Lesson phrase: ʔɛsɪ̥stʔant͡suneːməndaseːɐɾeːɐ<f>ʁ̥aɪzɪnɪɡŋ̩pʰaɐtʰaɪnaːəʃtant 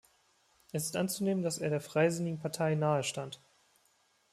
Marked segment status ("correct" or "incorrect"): correct